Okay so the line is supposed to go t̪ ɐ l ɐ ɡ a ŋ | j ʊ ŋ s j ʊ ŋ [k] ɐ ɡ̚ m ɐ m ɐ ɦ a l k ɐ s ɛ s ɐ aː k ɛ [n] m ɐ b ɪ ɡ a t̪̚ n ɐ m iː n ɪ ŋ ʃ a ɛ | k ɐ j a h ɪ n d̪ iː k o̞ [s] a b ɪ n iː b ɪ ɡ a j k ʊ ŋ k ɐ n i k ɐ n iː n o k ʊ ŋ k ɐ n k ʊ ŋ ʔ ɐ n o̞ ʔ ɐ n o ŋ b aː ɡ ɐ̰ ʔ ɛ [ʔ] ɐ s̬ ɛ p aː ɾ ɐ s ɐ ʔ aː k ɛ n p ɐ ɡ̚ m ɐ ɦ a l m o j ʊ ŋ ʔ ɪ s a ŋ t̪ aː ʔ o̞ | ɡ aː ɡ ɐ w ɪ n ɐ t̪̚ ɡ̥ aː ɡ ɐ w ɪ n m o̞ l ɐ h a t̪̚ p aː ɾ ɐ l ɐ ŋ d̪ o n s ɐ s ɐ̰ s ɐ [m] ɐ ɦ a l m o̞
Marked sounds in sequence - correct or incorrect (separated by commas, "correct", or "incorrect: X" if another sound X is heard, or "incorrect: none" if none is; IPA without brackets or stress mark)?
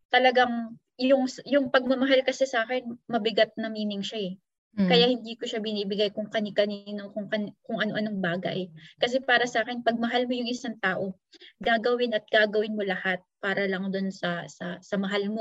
incorrect: p, correct, incorrect: ʃ, incorrect: k, correct